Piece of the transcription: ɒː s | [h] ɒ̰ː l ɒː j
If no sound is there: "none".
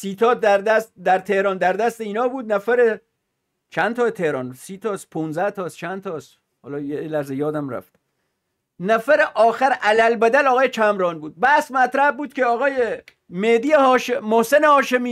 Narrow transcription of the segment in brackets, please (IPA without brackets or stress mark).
h